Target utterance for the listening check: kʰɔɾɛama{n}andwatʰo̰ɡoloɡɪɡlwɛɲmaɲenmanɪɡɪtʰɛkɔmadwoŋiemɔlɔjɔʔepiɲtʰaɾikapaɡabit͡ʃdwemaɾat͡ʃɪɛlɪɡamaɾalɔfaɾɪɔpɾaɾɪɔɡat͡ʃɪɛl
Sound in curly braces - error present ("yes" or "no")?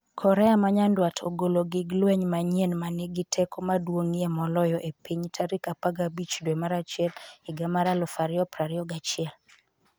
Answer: yes